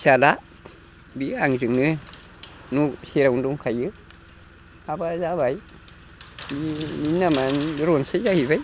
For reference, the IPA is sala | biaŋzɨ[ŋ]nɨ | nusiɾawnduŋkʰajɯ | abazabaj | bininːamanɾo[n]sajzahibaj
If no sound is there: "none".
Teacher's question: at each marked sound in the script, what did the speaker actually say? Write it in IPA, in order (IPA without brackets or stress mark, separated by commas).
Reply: ŋ, n